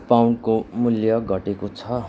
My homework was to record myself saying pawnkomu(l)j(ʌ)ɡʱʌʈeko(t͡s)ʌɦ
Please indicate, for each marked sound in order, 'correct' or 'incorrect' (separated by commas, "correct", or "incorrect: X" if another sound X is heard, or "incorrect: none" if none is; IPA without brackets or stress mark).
correct, correct, incorrect: t͡sʰ